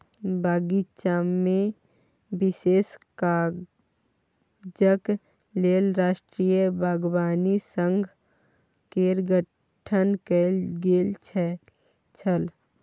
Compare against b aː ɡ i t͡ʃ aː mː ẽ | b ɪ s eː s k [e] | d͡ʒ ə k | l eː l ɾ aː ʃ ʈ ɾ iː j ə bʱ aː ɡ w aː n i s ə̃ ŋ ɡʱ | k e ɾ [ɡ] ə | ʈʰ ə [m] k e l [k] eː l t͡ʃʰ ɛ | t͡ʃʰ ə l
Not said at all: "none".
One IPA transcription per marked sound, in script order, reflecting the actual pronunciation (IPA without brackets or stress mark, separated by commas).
a, ɡ, n, ɡ